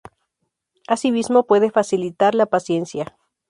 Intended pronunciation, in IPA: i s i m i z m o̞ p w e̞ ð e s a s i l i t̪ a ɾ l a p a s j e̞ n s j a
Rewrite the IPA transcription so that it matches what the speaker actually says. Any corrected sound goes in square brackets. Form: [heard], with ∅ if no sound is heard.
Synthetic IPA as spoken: [a] s i m i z m o̞ p w e̞ ð e [f] a s i l i t̪ a ɾ l a p a s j e̞ n s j a